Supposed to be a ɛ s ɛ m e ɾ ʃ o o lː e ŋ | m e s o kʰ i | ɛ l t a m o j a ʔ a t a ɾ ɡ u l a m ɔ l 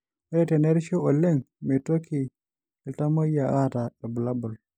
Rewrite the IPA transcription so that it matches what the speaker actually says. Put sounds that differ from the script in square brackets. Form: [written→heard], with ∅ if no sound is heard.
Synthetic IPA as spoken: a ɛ [s→t] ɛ [m→n] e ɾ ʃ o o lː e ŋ | m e [s→t] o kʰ i | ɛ l t a m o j a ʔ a t a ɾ [ɡ→b] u l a [m→b] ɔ l